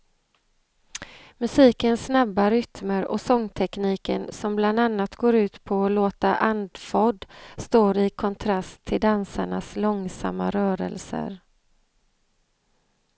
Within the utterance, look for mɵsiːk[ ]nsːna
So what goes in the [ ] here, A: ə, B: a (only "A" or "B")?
A